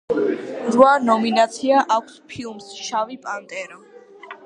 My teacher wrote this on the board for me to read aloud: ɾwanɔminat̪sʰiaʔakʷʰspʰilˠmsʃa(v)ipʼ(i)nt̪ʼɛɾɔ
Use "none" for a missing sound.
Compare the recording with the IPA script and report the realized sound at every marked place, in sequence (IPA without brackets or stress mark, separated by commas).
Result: v, a